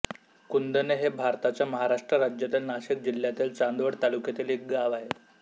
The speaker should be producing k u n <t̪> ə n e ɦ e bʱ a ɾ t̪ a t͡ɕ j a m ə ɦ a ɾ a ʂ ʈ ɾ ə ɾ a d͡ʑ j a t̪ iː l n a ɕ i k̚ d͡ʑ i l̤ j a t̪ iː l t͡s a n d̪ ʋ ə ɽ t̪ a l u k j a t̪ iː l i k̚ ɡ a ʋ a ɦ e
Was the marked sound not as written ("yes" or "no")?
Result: yes